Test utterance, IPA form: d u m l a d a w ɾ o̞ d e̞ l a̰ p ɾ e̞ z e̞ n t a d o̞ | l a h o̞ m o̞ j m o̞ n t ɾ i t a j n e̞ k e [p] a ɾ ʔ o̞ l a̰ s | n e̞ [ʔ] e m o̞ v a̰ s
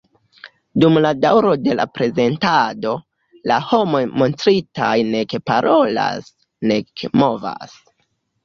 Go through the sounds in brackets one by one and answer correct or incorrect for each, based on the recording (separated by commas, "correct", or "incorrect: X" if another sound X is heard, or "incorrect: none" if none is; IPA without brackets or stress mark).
correct, incorrect: k